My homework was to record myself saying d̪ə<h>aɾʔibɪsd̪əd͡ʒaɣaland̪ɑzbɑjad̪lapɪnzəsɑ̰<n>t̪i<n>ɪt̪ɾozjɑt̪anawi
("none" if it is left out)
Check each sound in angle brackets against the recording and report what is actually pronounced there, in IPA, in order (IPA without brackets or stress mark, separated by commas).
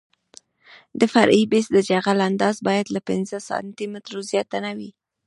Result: f, n, m